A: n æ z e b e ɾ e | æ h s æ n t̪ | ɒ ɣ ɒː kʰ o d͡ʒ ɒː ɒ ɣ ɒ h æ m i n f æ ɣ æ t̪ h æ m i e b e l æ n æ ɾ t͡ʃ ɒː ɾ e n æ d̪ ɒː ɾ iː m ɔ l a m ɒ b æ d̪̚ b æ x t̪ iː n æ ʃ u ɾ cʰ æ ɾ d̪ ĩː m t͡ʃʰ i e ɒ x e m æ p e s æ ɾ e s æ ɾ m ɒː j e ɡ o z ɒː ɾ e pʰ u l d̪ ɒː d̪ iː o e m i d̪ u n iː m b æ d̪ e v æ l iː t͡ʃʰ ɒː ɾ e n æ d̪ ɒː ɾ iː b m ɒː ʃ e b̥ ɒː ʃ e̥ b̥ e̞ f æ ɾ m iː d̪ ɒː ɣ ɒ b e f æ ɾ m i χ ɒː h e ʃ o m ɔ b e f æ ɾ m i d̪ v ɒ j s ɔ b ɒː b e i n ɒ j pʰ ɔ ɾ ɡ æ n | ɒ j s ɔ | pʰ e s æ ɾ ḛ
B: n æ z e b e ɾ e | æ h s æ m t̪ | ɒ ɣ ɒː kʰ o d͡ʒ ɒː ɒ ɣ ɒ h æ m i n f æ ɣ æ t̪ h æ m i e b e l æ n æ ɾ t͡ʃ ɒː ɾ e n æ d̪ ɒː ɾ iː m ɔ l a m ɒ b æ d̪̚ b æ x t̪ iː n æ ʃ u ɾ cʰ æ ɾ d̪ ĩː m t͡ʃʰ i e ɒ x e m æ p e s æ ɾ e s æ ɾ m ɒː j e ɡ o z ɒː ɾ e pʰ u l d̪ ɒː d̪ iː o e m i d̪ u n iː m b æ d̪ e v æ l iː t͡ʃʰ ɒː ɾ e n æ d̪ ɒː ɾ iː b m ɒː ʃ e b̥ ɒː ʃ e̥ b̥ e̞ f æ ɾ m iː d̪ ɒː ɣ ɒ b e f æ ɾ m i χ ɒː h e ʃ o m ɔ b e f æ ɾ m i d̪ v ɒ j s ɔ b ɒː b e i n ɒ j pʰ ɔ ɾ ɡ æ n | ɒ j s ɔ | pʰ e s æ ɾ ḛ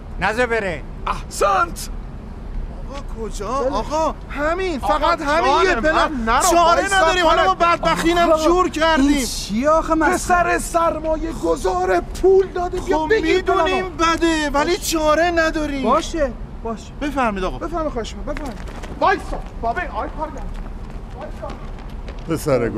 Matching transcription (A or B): A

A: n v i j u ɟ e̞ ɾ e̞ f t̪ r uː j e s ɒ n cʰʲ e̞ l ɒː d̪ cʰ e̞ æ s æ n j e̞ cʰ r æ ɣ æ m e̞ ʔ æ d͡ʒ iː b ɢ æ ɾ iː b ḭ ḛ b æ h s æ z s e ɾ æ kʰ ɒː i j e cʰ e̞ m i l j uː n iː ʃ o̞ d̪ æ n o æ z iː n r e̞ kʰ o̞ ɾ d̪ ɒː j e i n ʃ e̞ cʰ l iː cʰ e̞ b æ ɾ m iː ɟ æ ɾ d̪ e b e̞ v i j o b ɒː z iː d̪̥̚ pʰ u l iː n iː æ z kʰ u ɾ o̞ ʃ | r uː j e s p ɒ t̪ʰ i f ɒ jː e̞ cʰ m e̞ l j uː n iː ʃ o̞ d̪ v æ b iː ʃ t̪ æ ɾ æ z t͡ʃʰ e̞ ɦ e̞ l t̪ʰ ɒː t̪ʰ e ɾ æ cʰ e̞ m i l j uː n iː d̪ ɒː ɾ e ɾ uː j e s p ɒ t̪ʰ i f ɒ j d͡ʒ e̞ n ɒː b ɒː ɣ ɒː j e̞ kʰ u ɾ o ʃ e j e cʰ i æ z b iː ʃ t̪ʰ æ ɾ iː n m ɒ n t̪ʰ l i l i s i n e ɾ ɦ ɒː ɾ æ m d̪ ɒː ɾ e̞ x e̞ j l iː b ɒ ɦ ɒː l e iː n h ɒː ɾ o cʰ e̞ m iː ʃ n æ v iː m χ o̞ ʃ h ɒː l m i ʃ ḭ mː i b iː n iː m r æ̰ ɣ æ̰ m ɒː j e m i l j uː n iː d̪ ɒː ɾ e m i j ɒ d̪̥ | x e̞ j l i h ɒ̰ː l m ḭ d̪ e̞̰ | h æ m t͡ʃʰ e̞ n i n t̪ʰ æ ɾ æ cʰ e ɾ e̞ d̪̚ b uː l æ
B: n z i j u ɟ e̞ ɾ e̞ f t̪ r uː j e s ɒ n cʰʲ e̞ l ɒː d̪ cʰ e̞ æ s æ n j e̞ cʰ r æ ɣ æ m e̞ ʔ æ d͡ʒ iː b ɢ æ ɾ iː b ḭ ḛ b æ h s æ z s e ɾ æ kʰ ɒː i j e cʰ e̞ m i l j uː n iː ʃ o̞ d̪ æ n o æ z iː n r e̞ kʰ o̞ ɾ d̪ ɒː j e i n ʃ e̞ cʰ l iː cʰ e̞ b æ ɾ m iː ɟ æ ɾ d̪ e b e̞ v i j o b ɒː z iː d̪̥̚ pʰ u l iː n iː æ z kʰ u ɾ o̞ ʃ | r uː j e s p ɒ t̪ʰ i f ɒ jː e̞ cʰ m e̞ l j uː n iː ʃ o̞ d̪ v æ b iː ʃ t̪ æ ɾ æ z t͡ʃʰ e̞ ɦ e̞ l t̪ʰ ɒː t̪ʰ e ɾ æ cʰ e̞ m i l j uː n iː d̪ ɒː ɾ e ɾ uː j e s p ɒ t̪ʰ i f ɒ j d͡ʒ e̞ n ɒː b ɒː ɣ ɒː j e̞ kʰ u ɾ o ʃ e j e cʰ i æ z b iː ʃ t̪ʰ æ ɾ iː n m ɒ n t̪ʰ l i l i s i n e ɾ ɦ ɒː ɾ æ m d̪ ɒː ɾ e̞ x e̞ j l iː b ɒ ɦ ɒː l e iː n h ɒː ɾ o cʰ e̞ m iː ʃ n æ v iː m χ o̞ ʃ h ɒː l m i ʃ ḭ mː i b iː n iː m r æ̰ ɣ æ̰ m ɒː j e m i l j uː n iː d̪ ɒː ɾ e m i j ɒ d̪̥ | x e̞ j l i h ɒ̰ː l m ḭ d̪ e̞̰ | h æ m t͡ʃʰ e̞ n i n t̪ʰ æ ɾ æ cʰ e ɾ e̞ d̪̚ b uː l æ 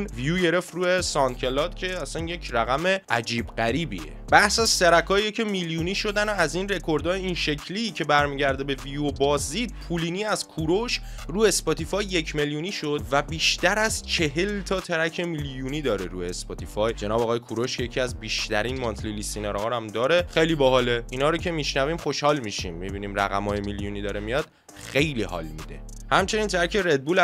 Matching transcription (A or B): A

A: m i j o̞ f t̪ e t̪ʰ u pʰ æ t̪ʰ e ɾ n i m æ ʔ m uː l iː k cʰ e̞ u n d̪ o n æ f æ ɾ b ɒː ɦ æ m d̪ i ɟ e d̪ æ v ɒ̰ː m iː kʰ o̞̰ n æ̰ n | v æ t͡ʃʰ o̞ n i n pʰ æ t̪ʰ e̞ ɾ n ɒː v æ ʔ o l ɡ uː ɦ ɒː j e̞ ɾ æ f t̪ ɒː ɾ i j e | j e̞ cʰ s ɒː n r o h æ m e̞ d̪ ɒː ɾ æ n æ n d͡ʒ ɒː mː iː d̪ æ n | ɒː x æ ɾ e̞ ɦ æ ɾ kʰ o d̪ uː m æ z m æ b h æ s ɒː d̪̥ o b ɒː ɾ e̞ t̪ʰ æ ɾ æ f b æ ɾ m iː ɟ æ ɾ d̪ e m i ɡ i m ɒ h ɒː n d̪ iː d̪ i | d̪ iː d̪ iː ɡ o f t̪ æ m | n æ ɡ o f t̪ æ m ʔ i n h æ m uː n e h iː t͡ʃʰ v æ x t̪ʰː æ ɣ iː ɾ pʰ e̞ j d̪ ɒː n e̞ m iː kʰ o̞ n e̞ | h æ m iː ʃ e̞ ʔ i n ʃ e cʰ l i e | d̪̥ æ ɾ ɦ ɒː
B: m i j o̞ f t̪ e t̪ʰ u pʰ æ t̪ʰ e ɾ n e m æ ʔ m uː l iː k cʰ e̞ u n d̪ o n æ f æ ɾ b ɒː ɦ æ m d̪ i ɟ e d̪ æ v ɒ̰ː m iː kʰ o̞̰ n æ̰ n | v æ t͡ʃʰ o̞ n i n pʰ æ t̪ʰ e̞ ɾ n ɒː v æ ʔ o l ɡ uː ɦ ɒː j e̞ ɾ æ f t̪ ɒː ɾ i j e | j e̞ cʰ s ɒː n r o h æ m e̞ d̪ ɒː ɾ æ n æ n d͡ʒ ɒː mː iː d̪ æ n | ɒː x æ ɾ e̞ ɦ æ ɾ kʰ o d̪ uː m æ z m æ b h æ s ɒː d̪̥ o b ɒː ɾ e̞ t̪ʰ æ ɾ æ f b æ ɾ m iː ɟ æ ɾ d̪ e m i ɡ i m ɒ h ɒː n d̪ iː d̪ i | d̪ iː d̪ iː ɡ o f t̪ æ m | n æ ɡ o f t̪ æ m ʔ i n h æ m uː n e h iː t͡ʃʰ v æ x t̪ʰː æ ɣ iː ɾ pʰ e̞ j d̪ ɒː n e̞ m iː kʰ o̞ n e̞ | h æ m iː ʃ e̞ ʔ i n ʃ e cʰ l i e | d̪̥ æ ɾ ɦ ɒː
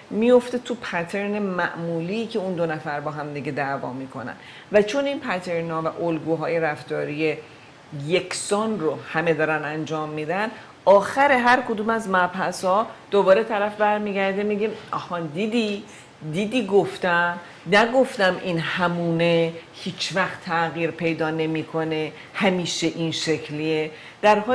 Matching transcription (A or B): B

